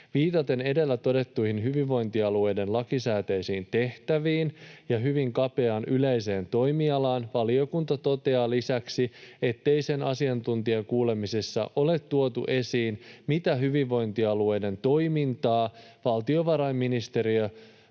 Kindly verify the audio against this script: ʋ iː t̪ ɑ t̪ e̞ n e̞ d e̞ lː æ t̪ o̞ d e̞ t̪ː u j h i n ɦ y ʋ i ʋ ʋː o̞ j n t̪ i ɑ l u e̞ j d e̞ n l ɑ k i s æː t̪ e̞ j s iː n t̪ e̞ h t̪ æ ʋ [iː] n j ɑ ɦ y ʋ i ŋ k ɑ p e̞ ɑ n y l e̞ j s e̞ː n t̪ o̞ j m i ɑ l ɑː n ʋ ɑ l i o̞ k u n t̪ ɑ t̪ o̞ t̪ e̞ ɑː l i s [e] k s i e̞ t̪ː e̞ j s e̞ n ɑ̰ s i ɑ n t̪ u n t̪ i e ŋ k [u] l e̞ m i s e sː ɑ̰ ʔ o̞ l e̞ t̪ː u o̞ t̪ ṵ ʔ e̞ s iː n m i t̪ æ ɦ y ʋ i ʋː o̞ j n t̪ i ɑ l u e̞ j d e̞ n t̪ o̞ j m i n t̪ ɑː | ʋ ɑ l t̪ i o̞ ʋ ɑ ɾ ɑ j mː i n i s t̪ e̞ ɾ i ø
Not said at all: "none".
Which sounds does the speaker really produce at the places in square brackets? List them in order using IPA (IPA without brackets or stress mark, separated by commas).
iː, æ, uː